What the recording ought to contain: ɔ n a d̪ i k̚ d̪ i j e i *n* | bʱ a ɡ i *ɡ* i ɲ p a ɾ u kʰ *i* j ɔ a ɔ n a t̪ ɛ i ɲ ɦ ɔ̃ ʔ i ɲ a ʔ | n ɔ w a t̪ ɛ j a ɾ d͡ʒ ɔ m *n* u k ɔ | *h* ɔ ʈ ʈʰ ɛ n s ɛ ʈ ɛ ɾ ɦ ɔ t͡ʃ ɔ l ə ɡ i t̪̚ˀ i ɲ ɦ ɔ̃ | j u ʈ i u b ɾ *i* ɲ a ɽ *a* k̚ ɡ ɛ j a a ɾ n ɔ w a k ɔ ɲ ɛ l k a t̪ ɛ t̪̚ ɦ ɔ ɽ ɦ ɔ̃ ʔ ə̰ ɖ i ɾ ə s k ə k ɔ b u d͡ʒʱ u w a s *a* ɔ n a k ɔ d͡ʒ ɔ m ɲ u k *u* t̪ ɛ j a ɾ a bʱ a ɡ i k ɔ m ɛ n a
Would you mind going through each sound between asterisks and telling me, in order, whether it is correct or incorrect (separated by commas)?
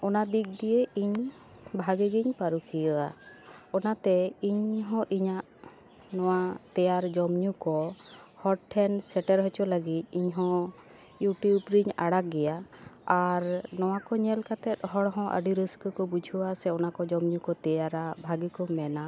incorrect, correct, correct, incorrect, correct, correct, correct, incorrect, incorrect